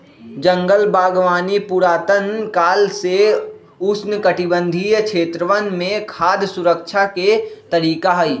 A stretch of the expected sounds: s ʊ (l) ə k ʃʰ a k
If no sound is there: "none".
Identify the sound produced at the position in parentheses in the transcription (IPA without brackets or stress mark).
ɾ